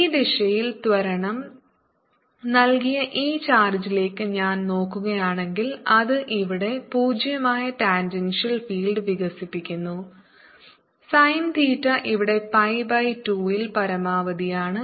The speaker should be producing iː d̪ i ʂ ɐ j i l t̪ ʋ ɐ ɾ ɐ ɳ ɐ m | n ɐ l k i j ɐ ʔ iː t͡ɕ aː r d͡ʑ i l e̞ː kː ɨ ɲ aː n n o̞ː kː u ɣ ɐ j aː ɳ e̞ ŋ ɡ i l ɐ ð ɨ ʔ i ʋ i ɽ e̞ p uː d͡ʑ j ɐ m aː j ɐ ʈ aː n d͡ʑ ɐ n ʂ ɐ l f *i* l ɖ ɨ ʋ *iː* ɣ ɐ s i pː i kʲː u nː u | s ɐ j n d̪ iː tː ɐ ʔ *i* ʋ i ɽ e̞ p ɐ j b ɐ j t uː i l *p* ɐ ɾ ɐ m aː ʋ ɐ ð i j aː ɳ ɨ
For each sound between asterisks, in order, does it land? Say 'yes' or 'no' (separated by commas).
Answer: no, no, yes, yes